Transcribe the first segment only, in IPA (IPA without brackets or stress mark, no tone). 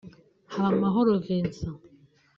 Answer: h